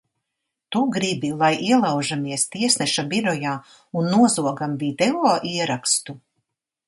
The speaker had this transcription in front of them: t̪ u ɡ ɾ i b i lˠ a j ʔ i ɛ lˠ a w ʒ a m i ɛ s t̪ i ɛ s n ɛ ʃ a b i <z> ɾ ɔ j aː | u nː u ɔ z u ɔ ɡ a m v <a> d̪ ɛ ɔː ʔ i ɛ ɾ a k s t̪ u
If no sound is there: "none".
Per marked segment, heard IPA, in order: none, i

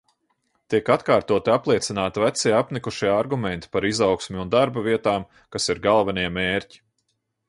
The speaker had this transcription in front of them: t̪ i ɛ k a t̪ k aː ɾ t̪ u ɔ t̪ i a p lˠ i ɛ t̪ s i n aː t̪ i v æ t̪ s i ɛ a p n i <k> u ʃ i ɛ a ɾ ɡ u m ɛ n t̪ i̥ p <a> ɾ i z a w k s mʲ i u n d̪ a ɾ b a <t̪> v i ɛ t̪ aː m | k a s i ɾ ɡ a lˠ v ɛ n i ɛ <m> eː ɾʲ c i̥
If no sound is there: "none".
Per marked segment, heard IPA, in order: k, a, none, m

